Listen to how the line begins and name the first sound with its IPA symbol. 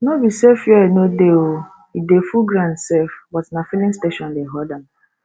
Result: n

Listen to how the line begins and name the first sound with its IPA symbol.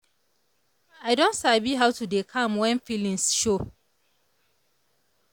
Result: a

